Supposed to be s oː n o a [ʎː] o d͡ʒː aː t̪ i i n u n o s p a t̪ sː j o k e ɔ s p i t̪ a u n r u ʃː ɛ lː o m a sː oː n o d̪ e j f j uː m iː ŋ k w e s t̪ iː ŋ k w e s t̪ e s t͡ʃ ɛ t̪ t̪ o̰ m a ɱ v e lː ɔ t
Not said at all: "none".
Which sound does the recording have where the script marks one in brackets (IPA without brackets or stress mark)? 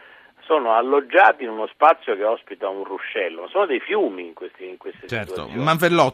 lː